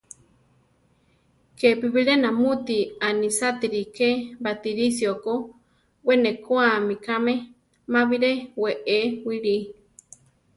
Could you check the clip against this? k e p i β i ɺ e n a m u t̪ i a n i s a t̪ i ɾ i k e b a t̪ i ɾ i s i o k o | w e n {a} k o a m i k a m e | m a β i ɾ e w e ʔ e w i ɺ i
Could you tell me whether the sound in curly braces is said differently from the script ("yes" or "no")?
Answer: yes